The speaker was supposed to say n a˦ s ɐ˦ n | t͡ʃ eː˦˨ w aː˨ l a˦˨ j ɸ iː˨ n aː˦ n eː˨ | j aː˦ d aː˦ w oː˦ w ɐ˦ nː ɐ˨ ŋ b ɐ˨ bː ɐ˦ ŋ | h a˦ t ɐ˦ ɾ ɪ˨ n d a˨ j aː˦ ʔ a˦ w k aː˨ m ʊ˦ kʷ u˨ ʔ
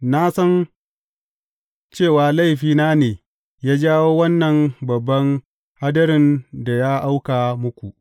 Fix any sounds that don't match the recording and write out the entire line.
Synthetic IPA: n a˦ s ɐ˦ n | t͡ʃ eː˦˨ w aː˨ l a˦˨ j ɸ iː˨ n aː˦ n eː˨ | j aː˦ d͡ʒ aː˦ w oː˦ w ɐ˦ nː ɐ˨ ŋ b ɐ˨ bː ɐ˦ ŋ | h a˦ d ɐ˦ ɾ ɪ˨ n d a˨ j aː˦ ʔ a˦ w k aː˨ m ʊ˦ kʷ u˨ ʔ

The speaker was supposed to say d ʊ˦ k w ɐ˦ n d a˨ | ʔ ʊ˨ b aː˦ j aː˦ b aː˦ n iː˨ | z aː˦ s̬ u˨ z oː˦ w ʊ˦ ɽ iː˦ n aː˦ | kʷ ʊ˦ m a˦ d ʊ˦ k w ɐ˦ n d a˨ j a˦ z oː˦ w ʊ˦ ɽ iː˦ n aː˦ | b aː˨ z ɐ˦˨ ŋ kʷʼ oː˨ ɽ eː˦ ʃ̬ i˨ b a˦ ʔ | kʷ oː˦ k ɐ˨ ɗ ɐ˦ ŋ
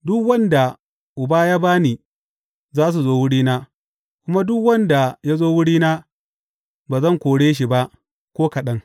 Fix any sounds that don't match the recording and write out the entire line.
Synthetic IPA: d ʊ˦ k w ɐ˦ n d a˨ | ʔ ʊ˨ b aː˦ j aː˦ b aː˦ n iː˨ | z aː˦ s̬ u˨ z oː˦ w ʊ˦ ɽ iː˦ n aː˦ | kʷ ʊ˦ m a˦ d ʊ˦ k w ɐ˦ n d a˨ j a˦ z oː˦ w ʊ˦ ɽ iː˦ n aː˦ | b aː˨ z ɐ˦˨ ŋ kʷ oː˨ ɽ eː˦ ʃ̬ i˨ b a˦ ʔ | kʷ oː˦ k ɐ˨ ɗ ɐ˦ ŋ

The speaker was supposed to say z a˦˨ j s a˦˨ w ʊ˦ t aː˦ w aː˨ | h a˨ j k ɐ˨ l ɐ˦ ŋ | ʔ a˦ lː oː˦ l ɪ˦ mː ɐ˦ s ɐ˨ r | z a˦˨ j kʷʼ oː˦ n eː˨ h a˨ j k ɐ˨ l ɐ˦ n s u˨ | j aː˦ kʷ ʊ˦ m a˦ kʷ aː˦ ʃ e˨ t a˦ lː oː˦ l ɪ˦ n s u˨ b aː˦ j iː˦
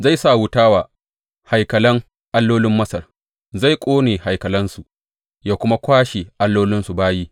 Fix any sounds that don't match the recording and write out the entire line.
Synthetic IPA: z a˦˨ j s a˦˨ w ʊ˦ t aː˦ w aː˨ | h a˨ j k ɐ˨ l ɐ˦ ŋ | ʔ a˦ lː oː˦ l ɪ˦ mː ɐ˦ s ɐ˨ r | z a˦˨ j kʷʼ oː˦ n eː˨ h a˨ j k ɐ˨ l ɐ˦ n s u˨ | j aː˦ kʷ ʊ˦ m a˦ kʷ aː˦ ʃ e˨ ʔ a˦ lː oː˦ l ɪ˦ n s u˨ b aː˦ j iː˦

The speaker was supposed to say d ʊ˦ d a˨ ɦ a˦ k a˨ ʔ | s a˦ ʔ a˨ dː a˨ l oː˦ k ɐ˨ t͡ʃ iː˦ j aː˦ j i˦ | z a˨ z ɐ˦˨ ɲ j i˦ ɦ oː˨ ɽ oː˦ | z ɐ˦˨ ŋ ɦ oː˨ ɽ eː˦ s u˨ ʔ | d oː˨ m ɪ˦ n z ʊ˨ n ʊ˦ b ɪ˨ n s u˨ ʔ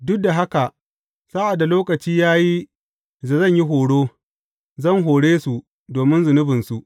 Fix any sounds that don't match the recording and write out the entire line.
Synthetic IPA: d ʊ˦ d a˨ ɦ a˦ k a˨ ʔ | s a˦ ʔ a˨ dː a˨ l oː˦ k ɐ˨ t͡ʃ iː˦ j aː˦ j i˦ | z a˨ z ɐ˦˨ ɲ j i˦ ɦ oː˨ ɽ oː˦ | z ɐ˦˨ ŋ ɦ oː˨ ɽ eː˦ s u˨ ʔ | d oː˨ m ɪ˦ n z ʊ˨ n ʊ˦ b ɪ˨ n s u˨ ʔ

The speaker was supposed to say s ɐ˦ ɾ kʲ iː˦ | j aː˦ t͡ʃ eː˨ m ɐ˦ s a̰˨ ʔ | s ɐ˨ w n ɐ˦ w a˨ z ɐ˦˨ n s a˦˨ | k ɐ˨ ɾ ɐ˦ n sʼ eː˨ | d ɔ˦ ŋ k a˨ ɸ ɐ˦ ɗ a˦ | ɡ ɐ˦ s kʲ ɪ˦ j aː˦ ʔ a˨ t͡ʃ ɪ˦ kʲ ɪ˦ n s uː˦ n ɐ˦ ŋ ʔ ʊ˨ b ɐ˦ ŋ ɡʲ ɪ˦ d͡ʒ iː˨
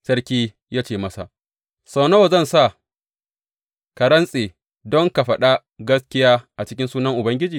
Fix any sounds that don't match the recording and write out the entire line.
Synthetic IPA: s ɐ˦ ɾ kʲ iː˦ | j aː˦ t͡ʃ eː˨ m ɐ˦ s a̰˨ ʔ | s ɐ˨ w n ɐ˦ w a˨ z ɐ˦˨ n s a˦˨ | k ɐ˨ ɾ ɐ˦ n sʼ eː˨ | d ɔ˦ ŋ k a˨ ɸ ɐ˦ ɗ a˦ | ɡ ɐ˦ s kʲ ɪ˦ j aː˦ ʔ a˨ t͡ʃ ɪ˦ kʲ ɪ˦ n s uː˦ n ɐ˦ ŋ ʔ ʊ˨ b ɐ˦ ŋ ɡʲ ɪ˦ d͡ʒ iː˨

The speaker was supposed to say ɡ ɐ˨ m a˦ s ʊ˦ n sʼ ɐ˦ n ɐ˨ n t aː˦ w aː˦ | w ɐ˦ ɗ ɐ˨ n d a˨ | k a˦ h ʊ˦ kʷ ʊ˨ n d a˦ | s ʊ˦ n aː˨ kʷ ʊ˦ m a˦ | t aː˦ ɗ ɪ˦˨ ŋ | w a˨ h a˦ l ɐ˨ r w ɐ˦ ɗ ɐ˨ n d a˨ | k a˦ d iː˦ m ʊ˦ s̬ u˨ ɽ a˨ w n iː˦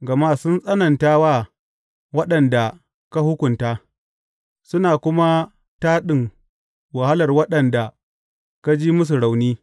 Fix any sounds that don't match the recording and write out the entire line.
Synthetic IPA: ɡ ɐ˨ m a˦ s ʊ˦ n sʼ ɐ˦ n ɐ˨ n t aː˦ w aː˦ | w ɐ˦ ɗ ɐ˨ n d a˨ | k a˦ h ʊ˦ kʷ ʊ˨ n t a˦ | s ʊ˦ n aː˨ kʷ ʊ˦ m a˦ | t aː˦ ɗ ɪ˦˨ ŋ | w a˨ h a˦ l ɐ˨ r w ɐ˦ ɗ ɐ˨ n d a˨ | k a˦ d͡ʒ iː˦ m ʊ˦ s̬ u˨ ɽ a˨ w n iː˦

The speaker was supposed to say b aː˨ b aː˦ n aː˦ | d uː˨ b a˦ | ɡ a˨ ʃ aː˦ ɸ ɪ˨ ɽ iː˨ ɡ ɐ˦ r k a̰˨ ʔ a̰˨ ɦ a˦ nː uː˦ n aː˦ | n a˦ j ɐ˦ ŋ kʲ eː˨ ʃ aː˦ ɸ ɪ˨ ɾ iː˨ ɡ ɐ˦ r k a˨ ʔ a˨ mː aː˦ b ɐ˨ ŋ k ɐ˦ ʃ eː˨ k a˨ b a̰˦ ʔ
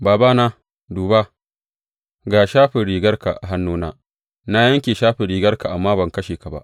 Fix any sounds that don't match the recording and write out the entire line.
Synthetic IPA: b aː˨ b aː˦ n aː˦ | d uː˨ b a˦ | ɡ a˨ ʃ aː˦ ɸ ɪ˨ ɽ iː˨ ɡ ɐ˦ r k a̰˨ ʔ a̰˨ ɦ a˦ nː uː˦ n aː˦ | n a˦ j ɐ˦ ŋ kʲ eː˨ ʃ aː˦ ɸ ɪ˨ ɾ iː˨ ɡ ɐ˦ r k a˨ ʔ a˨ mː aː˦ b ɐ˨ ŋ k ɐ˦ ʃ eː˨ k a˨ b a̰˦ ʔ

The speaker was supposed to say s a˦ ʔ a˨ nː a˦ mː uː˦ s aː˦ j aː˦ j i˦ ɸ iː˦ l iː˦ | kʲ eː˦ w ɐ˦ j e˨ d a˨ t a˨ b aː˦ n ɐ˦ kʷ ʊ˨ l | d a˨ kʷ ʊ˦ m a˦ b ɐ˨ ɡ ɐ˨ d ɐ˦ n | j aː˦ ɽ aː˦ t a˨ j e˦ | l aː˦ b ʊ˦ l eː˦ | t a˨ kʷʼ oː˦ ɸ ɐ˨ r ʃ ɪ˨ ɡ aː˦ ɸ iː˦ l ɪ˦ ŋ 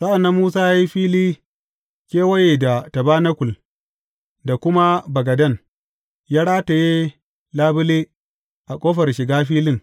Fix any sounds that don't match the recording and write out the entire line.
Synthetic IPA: s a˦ ʔ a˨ nː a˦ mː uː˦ s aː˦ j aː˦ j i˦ ɸ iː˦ l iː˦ | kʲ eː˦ w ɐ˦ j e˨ d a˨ t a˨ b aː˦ n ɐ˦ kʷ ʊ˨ l | d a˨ kʷ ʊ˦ m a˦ b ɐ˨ ɡ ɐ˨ d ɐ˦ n | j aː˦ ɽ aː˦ t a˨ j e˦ | l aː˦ b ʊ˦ l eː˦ | ʔ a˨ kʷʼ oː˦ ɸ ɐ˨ r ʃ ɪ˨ ɡ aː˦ ɸ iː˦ l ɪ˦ ŋ

